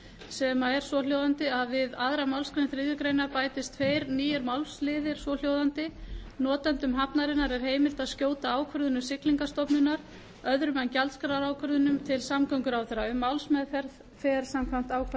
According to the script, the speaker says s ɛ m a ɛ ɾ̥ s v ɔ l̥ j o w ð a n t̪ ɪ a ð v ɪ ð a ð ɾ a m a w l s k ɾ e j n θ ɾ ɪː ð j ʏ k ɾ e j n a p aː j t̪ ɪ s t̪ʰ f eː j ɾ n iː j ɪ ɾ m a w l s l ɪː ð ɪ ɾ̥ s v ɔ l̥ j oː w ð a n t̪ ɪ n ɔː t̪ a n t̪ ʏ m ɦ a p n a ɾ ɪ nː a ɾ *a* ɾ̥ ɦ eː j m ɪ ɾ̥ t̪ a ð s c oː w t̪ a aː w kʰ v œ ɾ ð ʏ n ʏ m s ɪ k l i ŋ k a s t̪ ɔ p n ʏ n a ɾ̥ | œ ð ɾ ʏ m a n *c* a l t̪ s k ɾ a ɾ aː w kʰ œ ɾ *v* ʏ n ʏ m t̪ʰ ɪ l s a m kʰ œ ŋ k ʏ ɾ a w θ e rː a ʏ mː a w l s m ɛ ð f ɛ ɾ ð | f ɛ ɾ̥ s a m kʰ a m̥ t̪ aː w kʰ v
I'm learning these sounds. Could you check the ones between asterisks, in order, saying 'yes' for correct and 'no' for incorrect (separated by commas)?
no, yes, no